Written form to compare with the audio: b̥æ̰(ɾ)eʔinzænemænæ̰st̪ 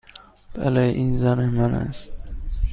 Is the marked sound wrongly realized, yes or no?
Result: yes